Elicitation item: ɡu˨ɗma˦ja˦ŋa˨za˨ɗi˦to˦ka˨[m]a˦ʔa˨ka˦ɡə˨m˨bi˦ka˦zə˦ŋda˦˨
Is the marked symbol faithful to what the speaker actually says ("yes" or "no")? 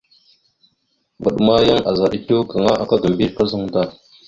no